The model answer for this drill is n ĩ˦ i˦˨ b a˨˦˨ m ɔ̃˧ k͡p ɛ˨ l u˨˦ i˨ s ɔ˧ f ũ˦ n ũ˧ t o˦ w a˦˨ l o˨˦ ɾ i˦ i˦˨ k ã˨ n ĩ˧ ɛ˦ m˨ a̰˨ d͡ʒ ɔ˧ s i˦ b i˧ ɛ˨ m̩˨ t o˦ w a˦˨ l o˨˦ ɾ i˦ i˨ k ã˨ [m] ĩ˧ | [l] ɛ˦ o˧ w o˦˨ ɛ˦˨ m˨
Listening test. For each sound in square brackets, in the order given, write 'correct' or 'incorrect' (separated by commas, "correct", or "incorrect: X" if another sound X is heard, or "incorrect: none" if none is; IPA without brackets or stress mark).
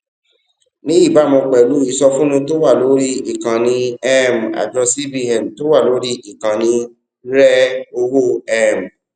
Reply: incorrect: n, incorrect: ɾ